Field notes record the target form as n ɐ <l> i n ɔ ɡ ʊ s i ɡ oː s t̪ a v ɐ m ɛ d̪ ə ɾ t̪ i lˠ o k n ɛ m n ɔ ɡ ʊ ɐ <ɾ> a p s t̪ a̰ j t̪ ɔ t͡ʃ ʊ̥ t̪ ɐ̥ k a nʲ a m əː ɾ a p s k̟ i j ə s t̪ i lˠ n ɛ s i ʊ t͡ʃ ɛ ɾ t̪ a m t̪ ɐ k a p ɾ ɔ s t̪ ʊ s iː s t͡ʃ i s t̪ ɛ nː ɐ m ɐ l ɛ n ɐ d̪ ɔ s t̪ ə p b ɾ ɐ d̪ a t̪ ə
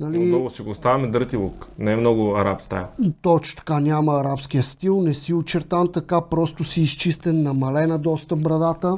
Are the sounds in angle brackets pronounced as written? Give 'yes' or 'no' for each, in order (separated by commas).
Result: yes, yes